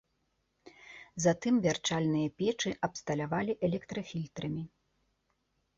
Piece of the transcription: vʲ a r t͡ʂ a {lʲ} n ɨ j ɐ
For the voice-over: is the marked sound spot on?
yes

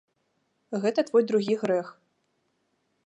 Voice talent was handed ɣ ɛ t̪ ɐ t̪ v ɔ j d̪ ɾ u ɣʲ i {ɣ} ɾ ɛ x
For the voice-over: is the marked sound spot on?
yes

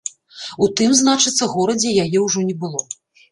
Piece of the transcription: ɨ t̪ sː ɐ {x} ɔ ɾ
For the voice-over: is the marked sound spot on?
no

